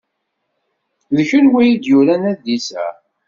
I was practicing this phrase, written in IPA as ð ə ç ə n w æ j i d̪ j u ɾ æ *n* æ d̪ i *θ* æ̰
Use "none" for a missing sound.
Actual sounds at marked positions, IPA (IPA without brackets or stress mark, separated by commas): n, s